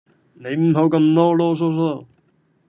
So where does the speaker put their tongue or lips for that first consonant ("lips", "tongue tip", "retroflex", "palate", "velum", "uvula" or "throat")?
tongue tip